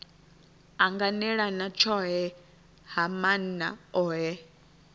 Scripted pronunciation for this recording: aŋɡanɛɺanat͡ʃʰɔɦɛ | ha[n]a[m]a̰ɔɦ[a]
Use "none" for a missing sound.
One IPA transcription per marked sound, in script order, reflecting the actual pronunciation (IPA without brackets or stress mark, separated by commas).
m, n, ɛ